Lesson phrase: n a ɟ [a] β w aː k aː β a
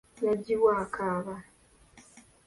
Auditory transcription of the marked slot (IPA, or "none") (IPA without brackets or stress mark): i